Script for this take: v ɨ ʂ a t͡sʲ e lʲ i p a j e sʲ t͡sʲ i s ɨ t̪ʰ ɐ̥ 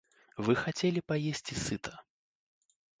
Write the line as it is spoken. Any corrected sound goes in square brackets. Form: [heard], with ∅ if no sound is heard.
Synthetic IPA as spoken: v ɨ [x] a t͡sʲ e lʲ i p a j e sʲ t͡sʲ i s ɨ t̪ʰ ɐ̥